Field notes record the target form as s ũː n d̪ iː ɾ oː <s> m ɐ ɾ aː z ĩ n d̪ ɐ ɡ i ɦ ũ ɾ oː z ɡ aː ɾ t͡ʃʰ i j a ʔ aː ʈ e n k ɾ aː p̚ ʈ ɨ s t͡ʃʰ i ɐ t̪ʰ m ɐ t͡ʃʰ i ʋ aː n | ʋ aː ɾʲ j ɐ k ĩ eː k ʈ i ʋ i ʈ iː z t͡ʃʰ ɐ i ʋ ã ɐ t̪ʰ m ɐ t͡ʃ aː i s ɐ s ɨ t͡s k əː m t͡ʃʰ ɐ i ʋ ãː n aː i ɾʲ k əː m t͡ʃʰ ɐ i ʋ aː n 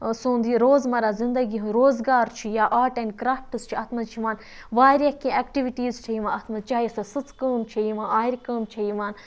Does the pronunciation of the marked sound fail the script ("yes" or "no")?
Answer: yes